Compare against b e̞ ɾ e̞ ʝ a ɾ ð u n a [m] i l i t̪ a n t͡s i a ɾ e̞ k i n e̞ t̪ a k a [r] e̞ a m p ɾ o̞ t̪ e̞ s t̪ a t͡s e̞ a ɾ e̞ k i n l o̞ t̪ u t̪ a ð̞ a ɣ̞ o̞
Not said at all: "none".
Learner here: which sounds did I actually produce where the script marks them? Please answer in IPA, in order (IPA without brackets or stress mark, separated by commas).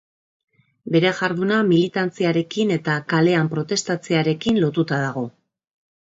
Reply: m, l